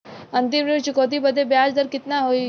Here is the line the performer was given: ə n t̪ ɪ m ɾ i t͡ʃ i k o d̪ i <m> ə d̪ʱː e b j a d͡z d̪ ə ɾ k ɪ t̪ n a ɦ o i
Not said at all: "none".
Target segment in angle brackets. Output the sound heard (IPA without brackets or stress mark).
b